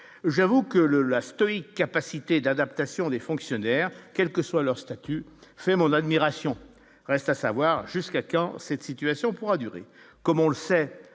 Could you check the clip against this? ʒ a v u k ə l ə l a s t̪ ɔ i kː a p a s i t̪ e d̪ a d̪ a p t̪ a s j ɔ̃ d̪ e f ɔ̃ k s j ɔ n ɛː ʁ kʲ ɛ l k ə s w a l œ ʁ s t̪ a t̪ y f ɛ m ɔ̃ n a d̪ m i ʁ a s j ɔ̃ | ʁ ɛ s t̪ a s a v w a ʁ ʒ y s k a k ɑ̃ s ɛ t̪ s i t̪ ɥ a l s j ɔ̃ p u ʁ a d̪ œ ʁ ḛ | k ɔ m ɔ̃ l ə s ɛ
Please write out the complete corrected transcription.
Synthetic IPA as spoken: ʒ a v u k ə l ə l a s t̪ ɔ i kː a p a s i t̪ e d̪ a d̪ a p t̪ a s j ɔ̃ d̪ e f ɔ̃ k s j ɔ n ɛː ʁ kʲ ɛ l k ə s w a l œ ʁ s t̪ a t̪ y f ɛ m ɔ̃ n a d̪ m i ʁ a s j ɔ̃ | ʁ ɛ s t̪ a s a v w a ʁ ʒ y s k a k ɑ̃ s ɛ t̪ s i t̪ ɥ a s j ɔ̃ p u ʁ a d̪ y ʁ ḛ | k ɔ m ɔ̃ l ə s ɛ